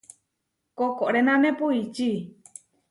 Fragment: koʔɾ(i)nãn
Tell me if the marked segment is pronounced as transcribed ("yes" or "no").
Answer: no